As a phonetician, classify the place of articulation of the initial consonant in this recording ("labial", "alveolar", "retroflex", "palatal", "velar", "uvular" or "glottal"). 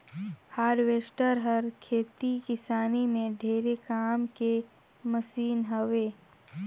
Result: glottal